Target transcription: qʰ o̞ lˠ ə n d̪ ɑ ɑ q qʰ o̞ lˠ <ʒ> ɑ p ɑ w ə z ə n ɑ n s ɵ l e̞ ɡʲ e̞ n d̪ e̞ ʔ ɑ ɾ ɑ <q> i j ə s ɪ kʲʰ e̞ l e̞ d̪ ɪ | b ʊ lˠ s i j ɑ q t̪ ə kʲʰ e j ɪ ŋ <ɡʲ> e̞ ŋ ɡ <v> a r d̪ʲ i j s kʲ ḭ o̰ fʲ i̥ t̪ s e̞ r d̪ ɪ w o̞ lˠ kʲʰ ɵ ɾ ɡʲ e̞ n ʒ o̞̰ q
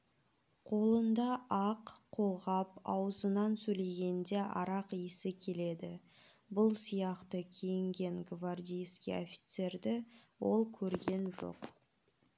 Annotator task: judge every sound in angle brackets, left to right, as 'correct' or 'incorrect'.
incorrect: ʁ, correct, correct, correct

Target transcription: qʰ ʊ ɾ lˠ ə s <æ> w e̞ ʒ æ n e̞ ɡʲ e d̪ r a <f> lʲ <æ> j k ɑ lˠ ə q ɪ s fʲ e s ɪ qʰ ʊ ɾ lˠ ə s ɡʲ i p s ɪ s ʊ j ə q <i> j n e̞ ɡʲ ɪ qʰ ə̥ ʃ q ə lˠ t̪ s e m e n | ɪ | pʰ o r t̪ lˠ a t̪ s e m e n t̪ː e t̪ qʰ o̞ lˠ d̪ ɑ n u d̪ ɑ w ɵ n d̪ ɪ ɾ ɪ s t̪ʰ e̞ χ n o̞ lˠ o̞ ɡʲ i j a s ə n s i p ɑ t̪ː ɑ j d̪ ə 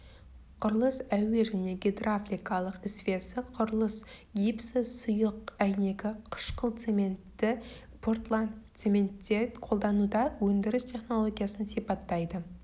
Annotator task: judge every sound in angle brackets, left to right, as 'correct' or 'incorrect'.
correct, correct, incorrect: i, incorrect: æ

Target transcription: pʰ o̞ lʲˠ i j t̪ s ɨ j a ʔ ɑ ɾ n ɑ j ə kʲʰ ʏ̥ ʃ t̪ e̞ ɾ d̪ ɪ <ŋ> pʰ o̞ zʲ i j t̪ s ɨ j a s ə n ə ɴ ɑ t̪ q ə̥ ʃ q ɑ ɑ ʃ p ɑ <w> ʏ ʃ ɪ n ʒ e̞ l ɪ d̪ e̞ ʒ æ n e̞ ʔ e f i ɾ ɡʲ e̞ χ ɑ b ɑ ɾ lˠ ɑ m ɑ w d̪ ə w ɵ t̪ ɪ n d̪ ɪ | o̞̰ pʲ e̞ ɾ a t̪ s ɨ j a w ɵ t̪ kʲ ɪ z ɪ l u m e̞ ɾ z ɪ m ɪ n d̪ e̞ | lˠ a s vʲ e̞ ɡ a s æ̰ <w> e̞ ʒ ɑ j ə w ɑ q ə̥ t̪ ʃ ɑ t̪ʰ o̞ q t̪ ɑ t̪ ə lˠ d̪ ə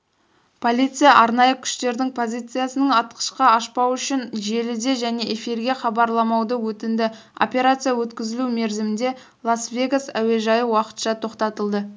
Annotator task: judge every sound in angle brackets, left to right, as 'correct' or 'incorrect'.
correct, correct, correct

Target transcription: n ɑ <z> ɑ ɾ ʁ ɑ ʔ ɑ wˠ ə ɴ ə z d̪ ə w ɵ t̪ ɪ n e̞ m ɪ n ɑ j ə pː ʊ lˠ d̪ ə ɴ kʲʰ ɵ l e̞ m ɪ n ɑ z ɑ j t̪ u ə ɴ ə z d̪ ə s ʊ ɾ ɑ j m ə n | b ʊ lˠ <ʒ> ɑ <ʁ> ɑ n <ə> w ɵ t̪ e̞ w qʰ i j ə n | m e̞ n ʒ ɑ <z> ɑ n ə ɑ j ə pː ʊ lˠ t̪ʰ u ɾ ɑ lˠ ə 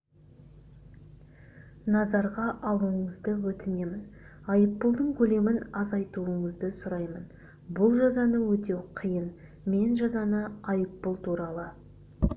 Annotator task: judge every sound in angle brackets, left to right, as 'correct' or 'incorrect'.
correct, correct, incorrect: z, correct, correct

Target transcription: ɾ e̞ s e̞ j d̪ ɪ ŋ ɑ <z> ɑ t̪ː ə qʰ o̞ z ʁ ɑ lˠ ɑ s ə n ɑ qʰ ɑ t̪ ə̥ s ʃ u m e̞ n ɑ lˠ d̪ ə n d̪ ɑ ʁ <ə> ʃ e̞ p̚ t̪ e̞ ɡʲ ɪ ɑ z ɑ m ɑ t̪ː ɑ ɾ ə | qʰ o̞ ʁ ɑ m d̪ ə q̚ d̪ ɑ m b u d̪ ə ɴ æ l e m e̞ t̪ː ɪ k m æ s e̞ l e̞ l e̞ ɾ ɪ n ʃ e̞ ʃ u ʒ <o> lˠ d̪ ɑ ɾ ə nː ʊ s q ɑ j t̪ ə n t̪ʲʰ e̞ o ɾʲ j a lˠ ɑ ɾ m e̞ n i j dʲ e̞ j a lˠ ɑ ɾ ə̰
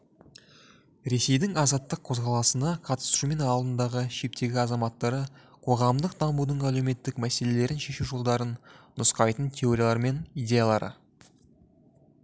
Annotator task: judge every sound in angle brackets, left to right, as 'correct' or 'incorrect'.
correct, correct, correct

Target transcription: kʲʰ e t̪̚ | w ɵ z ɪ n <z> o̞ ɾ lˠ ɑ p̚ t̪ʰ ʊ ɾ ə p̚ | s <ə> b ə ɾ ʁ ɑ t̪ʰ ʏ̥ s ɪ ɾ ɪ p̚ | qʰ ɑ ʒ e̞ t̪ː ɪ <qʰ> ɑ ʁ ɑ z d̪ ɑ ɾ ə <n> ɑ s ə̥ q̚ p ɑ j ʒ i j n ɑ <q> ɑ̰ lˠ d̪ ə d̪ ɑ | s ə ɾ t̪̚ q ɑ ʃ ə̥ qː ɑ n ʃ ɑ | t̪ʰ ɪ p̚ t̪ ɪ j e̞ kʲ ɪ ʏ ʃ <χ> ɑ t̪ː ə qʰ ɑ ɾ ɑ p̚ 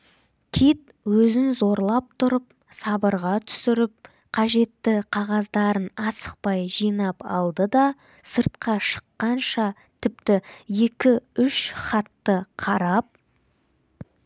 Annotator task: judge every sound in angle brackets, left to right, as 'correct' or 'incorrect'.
correct, incorrect: ɑ, correct, correct, incorrect: p, correct

